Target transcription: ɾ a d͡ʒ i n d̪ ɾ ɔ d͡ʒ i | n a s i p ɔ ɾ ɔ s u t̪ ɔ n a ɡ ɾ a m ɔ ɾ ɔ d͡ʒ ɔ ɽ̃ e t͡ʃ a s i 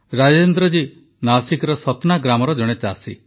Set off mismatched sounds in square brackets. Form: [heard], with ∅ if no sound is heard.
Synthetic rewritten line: ɾ a d͡ʒ [e] n d̪ ɾ ɔ d͡ʒ i | n a s i [k] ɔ ɾ ɔ s [ɔ] t̪ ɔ n a ɡ ɾ a m ɔ ɾ ɔ d͡ʒ ɔ ɽ̃ e t͡ʃ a s i